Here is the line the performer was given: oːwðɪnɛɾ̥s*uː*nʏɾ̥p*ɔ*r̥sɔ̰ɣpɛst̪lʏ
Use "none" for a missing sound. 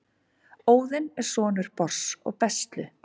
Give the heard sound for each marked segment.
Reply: ɔː, ɔ

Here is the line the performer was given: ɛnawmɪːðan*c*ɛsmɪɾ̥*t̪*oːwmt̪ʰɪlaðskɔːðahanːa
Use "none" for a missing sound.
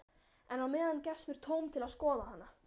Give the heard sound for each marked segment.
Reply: c, t̪ʰ

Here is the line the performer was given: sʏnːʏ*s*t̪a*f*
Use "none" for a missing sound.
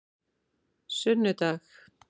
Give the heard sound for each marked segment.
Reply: none, x

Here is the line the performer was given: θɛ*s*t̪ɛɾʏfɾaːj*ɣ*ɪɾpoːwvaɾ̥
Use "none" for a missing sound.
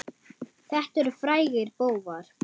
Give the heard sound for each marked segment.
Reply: h, ɣ

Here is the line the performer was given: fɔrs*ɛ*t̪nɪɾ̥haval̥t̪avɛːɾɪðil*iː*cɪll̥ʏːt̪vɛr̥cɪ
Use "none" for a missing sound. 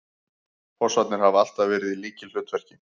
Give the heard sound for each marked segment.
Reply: a, iː

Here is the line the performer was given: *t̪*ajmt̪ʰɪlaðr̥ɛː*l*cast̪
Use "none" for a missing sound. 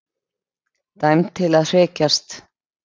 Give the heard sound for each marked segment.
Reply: t̪, none

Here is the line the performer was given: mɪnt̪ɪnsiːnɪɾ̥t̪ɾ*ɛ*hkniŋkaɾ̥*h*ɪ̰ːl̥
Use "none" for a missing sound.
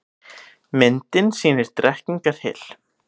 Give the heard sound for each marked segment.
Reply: ɛ, h

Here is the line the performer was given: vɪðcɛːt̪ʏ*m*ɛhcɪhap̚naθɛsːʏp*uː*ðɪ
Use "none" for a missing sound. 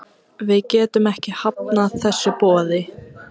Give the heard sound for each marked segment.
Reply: m, ɔː

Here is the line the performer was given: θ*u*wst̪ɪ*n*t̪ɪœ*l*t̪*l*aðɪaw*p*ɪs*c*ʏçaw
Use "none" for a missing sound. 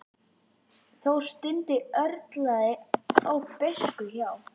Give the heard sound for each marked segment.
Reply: o, n, ɾ, l, p, k

